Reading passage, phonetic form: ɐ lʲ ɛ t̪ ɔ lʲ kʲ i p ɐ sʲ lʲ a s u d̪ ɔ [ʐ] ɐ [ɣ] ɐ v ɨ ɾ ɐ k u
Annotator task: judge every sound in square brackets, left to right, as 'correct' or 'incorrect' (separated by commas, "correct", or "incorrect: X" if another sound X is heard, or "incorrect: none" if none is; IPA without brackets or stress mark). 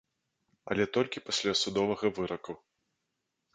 incorrect: v, correct